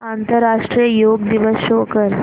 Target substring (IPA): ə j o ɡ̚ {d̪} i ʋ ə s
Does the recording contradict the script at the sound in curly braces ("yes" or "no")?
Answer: no